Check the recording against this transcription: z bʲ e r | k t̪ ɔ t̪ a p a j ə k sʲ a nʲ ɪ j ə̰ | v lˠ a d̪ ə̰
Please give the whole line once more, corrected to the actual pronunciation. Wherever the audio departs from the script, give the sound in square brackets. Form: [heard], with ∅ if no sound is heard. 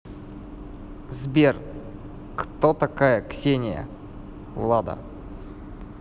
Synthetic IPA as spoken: z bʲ e r | k t̪ [o] t̪ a [k] a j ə k sʲ [e] nʲ ɪ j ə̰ | v lˠ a d̪ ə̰